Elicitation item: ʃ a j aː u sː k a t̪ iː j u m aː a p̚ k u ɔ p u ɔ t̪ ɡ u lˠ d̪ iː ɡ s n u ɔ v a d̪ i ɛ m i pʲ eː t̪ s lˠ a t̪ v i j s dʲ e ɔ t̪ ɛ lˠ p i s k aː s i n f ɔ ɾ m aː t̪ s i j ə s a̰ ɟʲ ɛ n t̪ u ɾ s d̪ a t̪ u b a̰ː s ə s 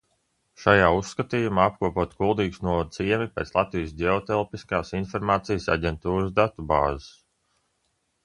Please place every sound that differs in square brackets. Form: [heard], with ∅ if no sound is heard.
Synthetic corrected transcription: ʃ a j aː u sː k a t̪ iː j u m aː a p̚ k u ɔ p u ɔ t̪ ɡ u lˠ d̪ iː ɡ s n u ɔ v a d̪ i ɛ m i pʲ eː t̪ s lˠ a t̪ v i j s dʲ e ɔ t̪ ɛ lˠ p i s k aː s i n f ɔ ɾ m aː t̪ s i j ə s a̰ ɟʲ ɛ n t̪ [uː] ɾ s d̪ a t̪ u b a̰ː [z] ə s